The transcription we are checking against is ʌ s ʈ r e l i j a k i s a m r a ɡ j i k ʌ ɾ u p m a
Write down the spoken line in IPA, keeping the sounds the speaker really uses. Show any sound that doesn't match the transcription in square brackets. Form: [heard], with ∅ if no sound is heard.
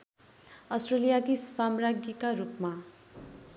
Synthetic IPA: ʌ s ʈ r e l i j a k i s a m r a ɡ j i k [a] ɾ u p m a